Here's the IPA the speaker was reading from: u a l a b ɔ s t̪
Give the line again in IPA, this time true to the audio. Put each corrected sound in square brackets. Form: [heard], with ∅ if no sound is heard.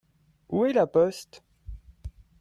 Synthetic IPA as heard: u [ɛ] l a [p] ɔ s t̪